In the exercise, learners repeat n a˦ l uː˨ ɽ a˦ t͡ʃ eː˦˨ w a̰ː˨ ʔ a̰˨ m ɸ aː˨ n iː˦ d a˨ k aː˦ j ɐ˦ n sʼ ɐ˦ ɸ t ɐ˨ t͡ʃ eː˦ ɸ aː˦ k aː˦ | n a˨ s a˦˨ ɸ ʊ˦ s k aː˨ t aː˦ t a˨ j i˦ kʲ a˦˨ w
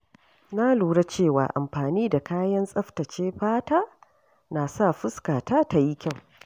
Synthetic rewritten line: n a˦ l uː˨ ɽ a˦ t͡ʃ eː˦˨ w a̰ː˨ ʔ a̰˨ m ɸ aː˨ n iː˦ d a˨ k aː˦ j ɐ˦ n sʼ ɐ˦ ɸ t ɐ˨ t͡ʃ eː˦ ɸ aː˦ t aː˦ | n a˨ s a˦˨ ɸ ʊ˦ s k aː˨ t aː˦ t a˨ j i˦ kʲ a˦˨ w